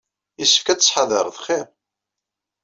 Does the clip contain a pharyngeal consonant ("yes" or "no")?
yes